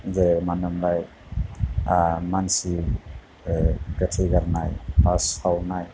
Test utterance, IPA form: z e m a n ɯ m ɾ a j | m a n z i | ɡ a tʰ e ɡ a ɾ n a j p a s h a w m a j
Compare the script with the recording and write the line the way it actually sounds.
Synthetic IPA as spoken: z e m a n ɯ m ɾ a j | m a n s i | ɡ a tʰ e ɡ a ɾ n a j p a s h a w n a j